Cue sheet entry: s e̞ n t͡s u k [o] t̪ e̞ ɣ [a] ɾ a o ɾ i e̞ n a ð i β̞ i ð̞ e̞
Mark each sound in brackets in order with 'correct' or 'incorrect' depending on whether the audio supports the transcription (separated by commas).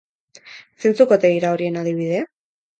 correct, incorrect